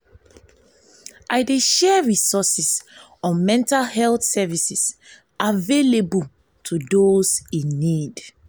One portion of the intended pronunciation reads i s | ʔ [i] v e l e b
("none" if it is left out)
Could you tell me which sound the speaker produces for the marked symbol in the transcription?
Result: a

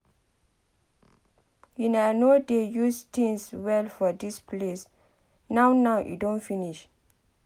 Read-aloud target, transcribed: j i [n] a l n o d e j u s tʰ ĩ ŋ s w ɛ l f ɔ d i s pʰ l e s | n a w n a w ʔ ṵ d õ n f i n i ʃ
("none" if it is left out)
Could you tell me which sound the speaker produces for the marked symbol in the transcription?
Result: n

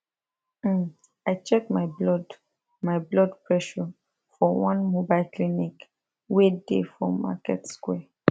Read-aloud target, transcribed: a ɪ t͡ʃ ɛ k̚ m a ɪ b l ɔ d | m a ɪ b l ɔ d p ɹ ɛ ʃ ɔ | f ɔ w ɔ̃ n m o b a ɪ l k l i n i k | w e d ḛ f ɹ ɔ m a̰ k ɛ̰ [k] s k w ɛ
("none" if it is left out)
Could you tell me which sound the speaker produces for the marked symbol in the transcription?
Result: t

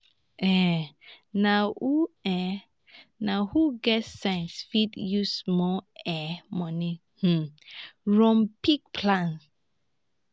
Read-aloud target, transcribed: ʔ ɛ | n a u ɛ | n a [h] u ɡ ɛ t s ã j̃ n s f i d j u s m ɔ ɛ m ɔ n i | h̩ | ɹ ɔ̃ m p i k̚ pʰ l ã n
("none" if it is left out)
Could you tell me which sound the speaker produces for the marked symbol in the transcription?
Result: h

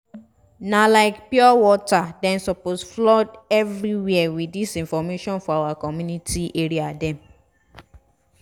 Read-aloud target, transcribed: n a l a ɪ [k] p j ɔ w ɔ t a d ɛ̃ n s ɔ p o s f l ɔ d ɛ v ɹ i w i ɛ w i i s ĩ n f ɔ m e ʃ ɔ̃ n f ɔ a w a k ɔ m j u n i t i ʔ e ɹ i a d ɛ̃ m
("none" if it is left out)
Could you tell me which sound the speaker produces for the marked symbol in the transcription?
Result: k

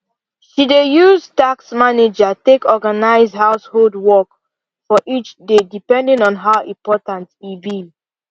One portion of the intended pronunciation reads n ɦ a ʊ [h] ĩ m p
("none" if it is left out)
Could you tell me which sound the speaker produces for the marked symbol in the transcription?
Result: none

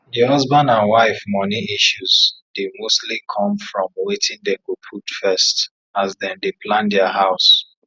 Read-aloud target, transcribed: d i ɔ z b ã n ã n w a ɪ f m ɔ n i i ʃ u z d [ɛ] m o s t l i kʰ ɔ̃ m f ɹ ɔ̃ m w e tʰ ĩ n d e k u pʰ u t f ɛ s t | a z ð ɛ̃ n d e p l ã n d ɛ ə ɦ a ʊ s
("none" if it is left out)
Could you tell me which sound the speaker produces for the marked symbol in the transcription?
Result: e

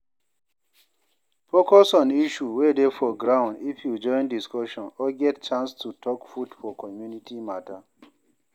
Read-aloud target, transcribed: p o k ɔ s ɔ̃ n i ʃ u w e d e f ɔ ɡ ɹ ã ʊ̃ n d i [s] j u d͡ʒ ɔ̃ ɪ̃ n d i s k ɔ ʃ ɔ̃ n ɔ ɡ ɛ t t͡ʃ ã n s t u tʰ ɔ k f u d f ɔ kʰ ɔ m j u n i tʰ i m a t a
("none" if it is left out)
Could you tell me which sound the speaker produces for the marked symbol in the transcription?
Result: f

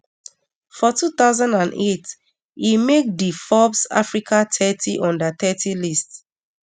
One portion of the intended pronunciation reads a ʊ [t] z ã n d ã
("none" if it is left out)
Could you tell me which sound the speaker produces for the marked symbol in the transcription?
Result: none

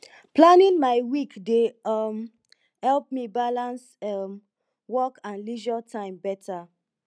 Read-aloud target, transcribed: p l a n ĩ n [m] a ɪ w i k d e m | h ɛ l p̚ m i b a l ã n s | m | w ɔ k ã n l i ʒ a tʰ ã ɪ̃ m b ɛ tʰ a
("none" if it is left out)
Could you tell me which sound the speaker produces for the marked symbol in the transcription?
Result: m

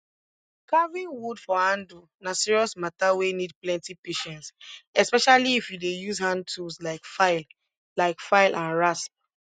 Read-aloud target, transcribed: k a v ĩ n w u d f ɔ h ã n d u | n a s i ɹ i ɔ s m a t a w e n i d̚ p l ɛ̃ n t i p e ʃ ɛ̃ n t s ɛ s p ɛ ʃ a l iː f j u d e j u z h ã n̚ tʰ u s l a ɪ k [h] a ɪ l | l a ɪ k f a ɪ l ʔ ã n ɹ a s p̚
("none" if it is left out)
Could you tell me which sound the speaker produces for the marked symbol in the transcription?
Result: f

